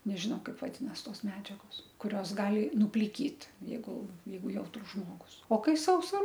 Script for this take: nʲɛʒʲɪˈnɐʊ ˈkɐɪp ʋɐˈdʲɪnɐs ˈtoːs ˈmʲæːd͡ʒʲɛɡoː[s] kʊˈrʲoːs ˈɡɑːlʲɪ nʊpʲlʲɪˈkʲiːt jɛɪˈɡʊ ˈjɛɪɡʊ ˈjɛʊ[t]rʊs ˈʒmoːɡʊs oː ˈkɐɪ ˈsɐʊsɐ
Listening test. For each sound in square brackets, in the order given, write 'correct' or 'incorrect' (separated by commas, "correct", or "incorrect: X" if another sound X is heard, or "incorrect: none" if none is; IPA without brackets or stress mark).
correct, correct